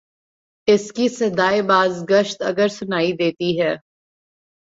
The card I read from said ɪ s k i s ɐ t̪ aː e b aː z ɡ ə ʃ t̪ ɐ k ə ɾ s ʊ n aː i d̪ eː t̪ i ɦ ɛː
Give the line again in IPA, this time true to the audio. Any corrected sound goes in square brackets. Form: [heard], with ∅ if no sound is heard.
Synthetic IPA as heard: ɪ s k i s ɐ [d̪] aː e b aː z ɡ ə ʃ t̪ ɐ [ɡ] ə ɾ s ʊ n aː i d̪ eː t̪ i ɦ ɛː